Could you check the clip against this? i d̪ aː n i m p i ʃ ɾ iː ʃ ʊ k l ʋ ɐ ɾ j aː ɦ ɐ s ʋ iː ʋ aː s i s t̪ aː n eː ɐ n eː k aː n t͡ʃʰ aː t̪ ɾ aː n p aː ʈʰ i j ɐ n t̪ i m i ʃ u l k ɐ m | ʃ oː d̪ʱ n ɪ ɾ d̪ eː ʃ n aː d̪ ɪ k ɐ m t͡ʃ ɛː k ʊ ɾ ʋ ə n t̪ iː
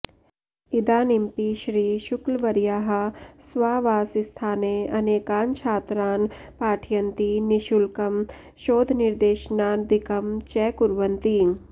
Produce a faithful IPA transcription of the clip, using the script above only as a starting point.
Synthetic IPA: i d̪ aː n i m p i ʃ ɾ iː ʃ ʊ k l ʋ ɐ ɾ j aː ɦ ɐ s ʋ aː ʋ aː s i s t̪ʰ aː n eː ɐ n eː k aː n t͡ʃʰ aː t̪ ɾ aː n p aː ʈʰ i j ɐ n t̪ i n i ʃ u l k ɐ m | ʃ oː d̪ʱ n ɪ ɾ d̪ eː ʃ n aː d̪ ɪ k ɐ m t͡ʃ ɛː k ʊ ɾ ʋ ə n t̪ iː